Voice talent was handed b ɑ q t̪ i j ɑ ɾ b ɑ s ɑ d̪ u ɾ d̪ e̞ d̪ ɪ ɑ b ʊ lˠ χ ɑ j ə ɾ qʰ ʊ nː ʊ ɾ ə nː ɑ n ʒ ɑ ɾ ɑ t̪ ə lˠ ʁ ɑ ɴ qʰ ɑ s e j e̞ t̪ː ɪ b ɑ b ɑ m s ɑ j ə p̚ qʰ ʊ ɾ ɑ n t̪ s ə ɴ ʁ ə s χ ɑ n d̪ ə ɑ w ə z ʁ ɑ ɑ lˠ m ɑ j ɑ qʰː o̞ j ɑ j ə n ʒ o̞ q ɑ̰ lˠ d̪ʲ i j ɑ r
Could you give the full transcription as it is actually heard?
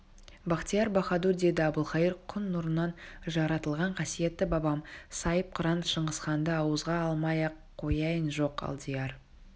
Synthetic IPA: b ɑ q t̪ i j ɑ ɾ b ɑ χ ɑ d̪ u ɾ d̪ e̞ d̪ ɪ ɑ b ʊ lˠ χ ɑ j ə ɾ qʰ ʊ nː ʊ ɾ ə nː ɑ n ʒ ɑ ɾ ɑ t̪ ə lˠ ʁ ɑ ɴ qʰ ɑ s i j e̞ t̪ː ɪ b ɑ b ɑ m s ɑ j ə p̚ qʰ ʊ ɾ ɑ n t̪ ʃ ə ɴ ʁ ə s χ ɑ n d̪ ə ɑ w ə z ʁ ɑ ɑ lˠ m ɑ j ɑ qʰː o̞ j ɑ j ə n ʒ o̞ q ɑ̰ lˠ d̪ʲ i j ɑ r